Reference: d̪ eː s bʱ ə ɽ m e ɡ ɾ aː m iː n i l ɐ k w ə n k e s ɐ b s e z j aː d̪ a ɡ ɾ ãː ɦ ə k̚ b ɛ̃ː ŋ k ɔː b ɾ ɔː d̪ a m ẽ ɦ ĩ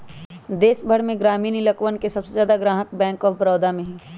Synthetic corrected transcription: d̪ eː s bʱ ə ɽ m ẽ ɡ ɾ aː m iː n i l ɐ k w ə n k e s ɐ b s e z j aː d̪ a ɡ ɾ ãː ɦ ə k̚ b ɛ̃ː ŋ k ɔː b ɾ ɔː d̪ a m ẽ ɦ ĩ